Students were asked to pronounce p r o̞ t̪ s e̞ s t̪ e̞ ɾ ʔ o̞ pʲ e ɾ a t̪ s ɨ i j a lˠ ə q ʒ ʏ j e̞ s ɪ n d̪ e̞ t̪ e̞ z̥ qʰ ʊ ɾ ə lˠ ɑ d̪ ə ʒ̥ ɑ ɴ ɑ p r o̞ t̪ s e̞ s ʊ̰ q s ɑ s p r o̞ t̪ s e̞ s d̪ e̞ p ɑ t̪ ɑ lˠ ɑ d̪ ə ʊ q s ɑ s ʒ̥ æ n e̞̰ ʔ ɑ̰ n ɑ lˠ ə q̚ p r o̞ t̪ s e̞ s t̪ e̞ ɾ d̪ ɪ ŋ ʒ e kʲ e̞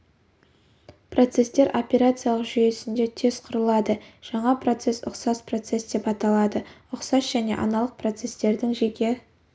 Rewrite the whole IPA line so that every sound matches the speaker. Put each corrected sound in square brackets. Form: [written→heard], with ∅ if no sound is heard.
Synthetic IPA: p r o̞ t̪ s e̞ s t̪ e̞ ɾ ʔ o̞ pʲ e ɾ a t̪ s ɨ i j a lˠ ə q ʒ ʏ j e̞ s ɪ n d̪ e̞ [t̪→t̪ʰ] e̞ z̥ qʰ ʊ ɾ ə lˠ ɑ d̪ ə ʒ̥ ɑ ɴ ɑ p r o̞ t̪ s e̞ s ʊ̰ q s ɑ s p r o̞ t̪ s e̞ s d̪ e̞ p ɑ t̪ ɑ lˠ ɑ d̪ ə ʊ q s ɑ s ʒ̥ æ n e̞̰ ʔ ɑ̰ n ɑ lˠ ə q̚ p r o̞ t̪ s e̞ s t̪ e̞ ɾ d̪ ɪ ŋ ʒ e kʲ e̞